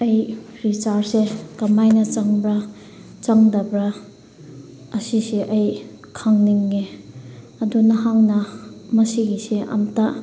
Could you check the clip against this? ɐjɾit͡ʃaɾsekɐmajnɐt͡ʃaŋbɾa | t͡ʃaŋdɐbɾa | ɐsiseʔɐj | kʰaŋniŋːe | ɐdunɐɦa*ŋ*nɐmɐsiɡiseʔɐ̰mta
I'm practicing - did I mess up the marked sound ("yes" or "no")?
no